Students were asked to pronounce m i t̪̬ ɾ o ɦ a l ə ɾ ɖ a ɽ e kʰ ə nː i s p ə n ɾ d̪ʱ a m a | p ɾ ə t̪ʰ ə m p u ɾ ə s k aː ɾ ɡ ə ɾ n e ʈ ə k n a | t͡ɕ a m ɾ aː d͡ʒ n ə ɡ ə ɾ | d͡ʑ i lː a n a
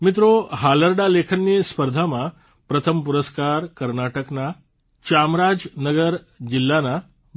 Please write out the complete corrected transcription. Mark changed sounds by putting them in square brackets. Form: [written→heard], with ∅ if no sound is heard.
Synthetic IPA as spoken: m i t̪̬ ɾ o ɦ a l ə ɾ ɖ a [ɽ→l] e kʰ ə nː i s p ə [n→∅] ɾ d̪ʱ a m a | p ɾ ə t̪ʰ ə m p u ɾ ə s k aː ɾ [ɡ→k] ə ɾ n [e→a] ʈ ə k n a | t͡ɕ a m ɾ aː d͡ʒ n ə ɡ ə ɾ | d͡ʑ i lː a n a